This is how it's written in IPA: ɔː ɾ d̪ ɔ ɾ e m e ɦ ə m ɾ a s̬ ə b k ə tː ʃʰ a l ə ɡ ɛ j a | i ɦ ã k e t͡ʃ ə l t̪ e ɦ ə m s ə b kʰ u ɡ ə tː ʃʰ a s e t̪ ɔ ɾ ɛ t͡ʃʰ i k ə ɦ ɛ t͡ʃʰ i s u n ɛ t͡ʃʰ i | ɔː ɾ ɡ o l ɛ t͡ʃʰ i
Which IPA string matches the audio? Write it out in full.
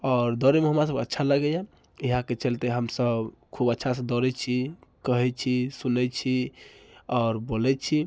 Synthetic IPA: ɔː ɾ d̪ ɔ ɾ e m e ɦ ə m ɾ a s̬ ə b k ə tː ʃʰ a l ə ɡ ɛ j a | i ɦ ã k e t͡ʃ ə l t̪ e ɦ ə m s ə b kʰ u b ə tː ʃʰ a s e d̪ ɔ ɾ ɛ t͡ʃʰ i k ə ɦ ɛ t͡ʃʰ i s u n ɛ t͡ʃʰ i | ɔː ɾ b o l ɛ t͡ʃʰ i